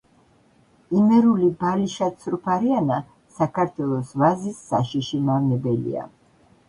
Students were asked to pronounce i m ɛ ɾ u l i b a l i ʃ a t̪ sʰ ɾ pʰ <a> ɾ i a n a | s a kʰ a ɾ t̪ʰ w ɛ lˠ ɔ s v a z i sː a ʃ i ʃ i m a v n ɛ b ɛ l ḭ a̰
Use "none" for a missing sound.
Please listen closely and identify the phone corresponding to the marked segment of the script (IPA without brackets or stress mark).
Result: a